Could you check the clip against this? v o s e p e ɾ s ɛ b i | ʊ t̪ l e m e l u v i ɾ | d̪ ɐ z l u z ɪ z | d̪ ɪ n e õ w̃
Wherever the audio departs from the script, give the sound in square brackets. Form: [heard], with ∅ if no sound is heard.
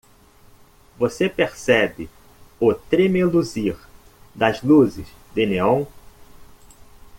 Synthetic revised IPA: v o s e p e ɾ s ɛ b [ɪ] | ʊ t̪ [ɾ] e m e l u [z] i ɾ | d̪ ɐ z l u z ɪ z | d̪ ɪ n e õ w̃